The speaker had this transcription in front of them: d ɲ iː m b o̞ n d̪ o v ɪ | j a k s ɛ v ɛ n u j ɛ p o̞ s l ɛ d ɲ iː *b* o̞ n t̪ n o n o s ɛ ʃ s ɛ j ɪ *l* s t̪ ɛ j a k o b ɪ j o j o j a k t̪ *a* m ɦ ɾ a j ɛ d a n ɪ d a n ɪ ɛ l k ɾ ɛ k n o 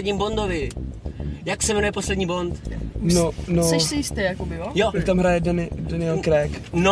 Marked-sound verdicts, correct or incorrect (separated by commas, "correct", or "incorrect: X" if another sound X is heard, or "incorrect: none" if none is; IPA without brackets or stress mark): correct, incorrect: none, correct